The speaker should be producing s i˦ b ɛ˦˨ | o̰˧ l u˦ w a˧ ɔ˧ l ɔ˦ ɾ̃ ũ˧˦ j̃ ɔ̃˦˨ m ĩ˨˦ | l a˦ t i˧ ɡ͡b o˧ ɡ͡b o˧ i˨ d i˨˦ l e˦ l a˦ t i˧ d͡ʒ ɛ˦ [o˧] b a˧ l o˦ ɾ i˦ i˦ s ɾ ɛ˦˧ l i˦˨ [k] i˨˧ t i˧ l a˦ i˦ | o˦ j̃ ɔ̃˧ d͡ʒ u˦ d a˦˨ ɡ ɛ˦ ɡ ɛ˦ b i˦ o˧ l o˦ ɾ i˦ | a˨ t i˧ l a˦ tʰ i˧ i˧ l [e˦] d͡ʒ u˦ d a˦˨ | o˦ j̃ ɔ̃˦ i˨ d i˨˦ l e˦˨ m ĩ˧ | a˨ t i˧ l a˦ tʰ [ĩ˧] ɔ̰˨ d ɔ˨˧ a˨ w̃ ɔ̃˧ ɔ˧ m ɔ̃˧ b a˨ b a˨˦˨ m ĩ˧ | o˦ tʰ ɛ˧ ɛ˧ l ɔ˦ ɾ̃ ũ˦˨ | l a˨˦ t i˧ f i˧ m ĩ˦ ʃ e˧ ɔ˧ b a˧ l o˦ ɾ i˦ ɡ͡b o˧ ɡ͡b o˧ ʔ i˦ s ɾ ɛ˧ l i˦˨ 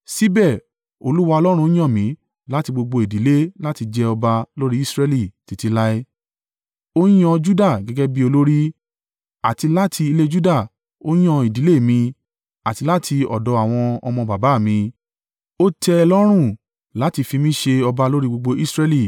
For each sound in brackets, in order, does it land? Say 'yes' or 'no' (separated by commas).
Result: no, no, yes, no